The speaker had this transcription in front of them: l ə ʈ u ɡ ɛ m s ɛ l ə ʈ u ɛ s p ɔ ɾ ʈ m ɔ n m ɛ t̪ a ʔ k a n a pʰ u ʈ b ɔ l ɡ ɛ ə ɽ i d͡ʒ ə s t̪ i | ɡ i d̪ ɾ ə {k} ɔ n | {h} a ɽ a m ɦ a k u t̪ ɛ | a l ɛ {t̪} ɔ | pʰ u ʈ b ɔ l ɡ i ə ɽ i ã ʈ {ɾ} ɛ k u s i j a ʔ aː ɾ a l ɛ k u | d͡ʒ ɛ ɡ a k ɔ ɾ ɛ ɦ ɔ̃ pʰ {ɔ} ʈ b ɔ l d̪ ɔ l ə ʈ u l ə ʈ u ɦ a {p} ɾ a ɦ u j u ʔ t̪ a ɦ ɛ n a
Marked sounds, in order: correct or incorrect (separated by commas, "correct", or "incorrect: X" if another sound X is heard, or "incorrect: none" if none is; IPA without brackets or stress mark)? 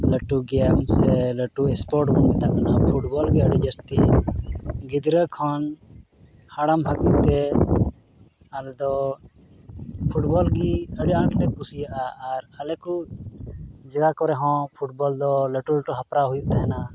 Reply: incorrect: kʰ, correct, incorrect: d̪, incorrect: l, incorrect: u, correct